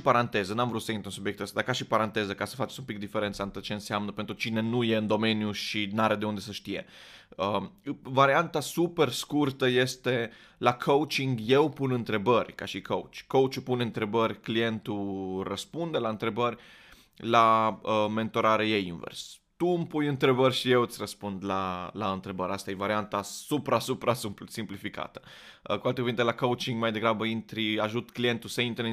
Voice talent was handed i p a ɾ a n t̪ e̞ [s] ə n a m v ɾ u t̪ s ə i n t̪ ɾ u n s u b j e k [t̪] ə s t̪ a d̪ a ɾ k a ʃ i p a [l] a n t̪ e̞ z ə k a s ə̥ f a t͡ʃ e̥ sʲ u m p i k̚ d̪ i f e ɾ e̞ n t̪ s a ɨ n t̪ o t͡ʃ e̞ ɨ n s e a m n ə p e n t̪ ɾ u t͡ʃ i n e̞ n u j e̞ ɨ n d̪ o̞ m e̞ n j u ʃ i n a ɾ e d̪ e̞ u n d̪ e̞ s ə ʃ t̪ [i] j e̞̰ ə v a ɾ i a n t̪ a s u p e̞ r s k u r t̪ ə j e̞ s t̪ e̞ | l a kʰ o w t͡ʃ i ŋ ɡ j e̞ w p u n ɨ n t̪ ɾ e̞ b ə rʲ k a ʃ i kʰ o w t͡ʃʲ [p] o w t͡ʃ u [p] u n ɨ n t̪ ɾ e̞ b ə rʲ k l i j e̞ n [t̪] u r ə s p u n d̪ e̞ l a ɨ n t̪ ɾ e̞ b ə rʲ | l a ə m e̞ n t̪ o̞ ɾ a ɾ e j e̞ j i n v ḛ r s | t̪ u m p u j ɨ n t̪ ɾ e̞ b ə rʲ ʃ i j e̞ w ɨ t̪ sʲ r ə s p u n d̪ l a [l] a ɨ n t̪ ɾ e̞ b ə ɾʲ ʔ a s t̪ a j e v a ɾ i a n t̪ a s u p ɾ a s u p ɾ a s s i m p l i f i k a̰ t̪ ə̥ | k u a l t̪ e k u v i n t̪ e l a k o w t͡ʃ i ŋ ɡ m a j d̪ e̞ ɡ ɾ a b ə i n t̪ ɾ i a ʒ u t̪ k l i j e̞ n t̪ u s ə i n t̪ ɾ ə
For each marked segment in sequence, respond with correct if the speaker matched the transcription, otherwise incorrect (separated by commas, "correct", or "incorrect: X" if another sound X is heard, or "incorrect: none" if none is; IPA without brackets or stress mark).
incorrect: z, correct, incorrect: ɾ, correct, incorrect: k, correct, correct, correct